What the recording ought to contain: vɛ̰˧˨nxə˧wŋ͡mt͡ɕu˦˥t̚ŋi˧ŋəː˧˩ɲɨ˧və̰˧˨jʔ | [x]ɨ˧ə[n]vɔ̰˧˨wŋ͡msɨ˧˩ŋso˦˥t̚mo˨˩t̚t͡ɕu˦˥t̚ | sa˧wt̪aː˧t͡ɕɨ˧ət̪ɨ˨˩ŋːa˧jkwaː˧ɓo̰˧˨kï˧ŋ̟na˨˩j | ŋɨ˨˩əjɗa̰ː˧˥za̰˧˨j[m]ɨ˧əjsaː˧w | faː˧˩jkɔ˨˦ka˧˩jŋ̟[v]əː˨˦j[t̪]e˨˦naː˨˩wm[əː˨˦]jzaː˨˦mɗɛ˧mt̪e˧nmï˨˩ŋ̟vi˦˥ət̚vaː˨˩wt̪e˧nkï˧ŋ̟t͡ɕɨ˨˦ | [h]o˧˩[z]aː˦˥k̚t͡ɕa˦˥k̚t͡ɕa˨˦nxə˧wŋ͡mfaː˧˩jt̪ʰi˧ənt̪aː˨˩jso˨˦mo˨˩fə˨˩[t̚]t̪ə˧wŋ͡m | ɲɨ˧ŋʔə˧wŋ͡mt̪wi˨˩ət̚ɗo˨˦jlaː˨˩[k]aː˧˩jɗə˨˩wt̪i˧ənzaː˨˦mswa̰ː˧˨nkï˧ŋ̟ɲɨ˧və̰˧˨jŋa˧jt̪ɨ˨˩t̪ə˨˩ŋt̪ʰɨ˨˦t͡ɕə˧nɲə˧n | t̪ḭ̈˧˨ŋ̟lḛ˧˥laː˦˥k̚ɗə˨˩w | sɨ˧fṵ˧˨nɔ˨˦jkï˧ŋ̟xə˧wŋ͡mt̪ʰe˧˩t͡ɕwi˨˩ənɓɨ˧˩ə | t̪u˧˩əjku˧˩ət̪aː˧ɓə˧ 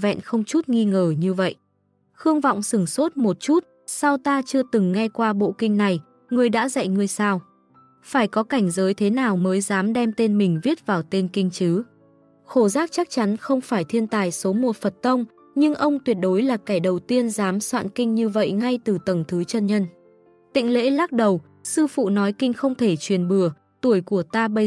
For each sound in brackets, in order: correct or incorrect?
correct, incorrect: ŋ, incorrect: ŋ, incorrect: z, incorrect: t̪ʰ, correct, incorrect: x, correct, correct, correct

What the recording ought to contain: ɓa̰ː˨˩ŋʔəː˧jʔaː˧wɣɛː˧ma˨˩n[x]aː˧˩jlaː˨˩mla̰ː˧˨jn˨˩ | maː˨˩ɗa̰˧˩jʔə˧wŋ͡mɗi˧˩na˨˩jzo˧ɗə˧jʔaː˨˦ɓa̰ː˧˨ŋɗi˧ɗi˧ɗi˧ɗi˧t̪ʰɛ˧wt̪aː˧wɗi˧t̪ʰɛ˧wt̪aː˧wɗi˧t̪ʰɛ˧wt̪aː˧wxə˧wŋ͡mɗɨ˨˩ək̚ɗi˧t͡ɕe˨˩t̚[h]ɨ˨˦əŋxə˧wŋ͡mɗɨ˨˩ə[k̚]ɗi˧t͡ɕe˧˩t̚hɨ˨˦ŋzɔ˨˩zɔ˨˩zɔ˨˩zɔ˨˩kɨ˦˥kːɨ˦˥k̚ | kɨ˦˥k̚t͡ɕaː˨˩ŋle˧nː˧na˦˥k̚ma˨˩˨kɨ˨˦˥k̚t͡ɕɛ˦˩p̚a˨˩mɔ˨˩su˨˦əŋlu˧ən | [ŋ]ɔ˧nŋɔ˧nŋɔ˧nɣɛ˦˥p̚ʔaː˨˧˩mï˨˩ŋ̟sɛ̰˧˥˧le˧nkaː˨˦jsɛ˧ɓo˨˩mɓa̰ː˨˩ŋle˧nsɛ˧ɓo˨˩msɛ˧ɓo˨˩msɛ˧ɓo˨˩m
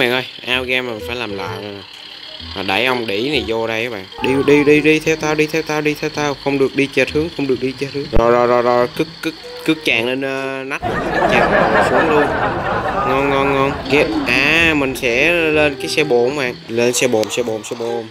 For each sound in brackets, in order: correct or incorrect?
incorrect: f, correct, correct, correct

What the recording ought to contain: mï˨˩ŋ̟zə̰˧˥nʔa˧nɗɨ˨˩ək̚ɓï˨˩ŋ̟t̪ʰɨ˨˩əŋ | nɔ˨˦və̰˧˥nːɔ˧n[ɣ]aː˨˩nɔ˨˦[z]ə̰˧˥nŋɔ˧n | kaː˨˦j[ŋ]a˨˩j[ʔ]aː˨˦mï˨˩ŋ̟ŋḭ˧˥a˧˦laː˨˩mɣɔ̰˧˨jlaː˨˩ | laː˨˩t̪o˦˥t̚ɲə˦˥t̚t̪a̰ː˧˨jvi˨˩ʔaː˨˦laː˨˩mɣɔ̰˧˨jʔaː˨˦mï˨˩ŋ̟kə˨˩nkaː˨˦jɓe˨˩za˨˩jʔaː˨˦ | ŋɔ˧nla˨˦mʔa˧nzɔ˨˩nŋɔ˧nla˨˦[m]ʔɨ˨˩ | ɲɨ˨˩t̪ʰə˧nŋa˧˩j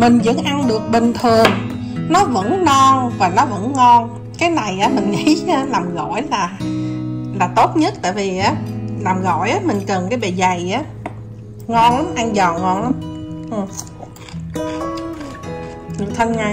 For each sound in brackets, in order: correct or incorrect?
incorrect: v, incorrect: v, incorrect: n, correct, correct

